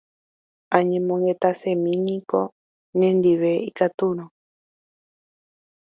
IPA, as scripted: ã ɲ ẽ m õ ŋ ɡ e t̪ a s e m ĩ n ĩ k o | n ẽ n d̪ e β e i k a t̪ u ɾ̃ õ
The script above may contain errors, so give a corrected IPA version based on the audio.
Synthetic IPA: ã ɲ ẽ m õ ŋ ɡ e t̪ a s e m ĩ n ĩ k o | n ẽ n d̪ i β e i k a t̪ u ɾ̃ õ